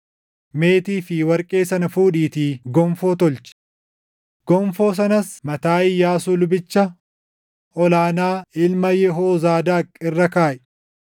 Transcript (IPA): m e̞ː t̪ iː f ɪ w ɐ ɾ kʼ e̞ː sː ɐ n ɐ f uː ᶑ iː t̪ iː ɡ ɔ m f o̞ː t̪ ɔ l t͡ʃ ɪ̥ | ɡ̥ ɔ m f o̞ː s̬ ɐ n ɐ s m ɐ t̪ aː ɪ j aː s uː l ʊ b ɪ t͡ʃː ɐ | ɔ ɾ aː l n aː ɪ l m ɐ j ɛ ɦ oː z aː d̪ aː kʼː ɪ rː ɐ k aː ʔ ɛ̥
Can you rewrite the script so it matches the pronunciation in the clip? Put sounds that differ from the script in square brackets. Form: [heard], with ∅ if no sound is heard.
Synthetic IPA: m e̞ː t̪ iː f ɪ w ɐ ɾ kʼ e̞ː [s] ɐ n ɐ f uː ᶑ iː t̪ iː ɡ ɔ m f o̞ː t̪ ɔ l t͡ʃ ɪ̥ | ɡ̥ ɔ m f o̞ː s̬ ɐ n ɐ s m ɐ t̪ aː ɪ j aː s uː l ʊ b ɪ t͡ʃː ɐ | ɔ [l] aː [∅] n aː ɪ l m ɐ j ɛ ɦ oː z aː d̪ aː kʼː ɪ rː ɐ k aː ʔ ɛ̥